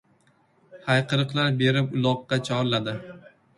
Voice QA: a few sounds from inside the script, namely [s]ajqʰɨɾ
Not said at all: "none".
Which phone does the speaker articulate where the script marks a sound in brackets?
h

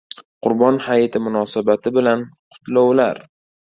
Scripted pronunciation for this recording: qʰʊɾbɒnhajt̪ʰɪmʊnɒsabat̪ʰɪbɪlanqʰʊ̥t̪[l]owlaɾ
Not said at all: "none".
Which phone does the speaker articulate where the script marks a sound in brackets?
l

